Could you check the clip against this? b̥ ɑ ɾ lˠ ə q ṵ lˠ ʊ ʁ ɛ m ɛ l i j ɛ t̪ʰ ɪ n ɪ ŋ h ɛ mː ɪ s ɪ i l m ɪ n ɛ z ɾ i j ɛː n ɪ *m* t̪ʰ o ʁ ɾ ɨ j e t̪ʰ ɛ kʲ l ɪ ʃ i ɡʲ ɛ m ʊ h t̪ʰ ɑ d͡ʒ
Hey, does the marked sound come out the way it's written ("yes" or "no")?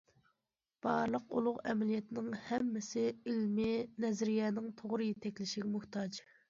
no